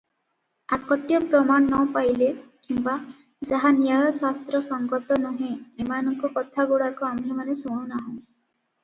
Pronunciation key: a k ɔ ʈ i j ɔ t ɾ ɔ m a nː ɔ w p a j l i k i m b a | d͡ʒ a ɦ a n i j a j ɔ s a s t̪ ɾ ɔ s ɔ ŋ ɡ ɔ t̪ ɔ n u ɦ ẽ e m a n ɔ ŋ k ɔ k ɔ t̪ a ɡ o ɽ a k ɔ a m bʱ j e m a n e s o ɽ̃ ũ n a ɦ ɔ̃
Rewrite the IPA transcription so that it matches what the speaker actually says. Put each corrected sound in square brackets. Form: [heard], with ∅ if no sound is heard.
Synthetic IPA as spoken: a k ɔ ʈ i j ɔ [p] ɾ ɔ m a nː ɔ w p a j l [e] k i m b a | d͡ʒ a ɦ a n i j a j ɔ s a s t̪ ɾ ɔ s ɔ ŋ ɡ ɔ t̪ ɔ n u ɦ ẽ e m a n ɔ ŋ k ɔ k ɔ [t̪ʰ] a ɡ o ɽ a k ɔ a m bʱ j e m a n e s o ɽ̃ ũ n a ɦ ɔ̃